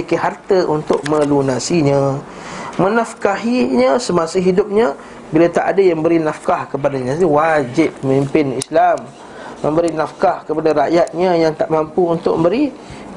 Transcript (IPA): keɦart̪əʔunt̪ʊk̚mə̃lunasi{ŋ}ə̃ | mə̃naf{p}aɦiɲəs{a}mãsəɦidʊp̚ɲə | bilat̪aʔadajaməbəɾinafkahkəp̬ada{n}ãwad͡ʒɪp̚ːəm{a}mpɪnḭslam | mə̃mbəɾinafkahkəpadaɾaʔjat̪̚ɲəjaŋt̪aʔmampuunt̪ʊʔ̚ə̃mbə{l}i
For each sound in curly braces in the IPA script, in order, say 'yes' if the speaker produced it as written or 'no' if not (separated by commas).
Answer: no, no, no, no, no, no